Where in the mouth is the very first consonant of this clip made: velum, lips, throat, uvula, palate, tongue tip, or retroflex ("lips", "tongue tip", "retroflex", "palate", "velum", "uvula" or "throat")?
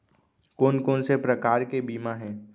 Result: velum